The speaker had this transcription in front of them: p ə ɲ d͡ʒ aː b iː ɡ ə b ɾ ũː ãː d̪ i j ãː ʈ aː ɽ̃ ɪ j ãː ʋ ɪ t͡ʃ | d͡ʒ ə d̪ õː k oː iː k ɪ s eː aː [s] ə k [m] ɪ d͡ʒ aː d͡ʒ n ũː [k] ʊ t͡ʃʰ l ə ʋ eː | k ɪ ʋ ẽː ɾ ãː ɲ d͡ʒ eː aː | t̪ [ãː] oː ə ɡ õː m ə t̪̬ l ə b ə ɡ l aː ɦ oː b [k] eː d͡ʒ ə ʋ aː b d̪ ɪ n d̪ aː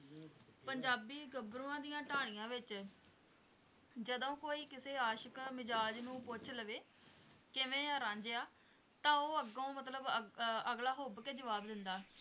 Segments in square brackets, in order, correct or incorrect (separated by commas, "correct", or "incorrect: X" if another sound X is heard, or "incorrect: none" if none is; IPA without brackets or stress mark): incorrect: ʃ, correct, incorrect: p, correct, correct